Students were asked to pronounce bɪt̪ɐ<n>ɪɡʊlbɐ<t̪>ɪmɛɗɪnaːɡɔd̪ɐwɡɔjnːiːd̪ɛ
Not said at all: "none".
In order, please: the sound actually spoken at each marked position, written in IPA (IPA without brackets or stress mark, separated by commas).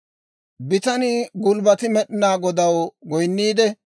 n, t̪